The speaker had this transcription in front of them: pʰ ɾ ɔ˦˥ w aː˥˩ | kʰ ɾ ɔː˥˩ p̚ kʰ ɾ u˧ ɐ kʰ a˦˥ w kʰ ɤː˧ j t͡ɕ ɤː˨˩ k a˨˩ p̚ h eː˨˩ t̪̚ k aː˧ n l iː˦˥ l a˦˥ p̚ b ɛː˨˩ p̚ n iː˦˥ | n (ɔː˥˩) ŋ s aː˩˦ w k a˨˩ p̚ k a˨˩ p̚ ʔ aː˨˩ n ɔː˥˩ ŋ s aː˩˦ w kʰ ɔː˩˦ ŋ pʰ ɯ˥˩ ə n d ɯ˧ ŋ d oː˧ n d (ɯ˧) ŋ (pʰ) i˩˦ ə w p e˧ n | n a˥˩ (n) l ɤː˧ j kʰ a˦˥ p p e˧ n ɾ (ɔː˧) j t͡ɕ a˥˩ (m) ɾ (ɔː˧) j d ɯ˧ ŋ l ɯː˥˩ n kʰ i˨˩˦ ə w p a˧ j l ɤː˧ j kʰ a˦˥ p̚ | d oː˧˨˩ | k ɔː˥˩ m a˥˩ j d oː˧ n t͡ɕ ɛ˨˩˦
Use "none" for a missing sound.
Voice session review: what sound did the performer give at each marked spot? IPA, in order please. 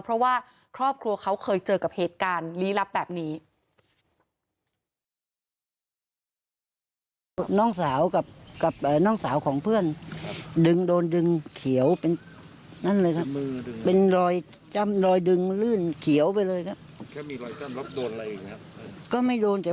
ɔː˥˩, ɯ˧, kʰ, n, ɔː˧, m, ɔː˧

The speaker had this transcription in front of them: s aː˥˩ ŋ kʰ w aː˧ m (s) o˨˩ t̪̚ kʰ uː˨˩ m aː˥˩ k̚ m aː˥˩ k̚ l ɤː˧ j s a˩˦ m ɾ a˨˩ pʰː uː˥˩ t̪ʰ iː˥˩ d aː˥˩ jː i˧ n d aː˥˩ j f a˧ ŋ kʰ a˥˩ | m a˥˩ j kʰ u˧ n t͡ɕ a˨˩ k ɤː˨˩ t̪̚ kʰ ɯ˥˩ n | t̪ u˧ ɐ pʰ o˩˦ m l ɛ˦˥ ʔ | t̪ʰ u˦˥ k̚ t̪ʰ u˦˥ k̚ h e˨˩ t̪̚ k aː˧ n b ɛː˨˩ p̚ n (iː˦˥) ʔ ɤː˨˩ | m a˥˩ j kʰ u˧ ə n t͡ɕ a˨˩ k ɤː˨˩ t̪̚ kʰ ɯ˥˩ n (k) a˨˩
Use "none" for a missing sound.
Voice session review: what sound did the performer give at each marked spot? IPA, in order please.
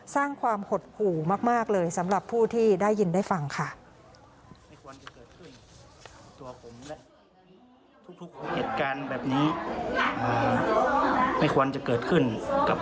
h, iː˦˥, k

